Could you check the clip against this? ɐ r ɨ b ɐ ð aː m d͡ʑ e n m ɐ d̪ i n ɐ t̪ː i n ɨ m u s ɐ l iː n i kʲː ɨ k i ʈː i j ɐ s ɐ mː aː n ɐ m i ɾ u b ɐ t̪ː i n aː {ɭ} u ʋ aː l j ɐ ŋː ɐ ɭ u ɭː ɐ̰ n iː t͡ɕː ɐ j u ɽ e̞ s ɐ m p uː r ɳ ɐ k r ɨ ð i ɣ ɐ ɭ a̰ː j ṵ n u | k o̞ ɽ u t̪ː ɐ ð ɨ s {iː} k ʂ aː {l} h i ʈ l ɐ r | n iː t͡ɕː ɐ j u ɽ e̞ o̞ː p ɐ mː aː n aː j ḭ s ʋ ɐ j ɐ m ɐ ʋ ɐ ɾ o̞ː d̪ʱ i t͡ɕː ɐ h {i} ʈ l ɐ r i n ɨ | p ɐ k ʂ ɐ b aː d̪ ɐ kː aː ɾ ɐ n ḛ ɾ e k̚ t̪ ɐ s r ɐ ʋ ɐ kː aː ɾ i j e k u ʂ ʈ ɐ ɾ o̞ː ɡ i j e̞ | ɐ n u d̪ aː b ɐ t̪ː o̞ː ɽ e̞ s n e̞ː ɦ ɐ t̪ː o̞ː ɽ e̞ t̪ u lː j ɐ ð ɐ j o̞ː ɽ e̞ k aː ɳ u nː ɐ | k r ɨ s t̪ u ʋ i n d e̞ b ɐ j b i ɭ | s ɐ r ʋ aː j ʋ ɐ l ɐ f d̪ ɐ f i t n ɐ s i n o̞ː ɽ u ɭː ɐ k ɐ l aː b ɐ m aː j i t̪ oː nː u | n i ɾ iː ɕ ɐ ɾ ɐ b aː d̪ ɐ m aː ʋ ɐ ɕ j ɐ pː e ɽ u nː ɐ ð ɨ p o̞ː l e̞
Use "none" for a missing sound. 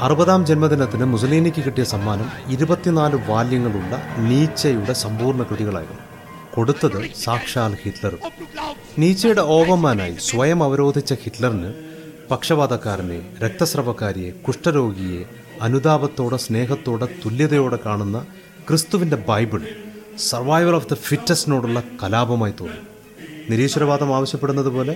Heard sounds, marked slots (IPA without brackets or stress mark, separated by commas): l, aː, l, i